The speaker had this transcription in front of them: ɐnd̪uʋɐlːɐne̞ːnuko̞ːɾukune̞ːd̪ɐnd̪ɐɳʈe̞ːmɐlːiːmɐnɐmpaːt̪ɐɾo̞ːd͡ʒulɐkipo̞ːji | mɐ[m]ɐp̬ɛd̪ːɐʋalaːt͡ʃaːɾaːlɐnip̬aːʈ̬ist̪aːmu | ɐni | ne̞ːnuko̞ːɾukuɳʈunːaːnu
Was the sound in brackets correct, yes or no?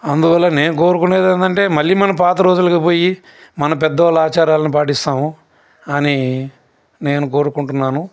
no